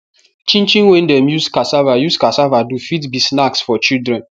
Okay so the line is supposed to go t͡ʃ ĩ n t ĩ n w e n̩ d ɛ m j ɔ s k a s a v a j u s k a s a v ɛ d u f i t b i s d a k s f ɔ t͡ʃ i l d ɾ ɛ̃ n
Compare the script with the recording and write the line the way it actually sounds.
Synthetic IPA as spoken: t͡ʃ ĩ n t͡ʃ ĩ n w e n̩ d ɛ m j u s k a s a v a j u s k a s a v a d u f i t b i s n a k s f ɔ t͡ʃ i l d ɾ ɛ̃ n